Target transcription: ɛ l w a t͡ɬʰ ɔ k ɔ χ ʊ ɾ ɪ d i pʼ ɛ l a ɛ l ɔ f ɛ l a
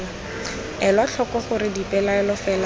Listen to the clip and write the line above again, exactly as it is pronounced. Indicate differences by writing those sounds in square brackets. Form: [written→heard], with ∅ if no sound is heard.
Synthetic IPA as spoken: ɛ l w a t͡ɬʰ ɔ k ɔ χ ʊ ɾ ɪ d i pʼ ɛ l a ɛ l ɔ f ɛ l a